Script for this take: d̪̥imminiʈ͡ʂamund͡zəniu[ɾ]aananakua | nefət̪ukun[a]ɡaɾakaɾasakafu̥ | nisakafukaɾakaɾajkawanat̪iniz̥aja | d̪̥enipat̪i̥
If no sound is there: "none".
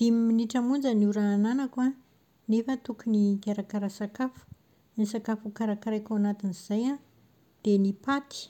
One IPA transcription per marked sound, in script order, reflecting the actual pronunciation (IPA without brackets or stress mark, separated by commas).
ɾ, i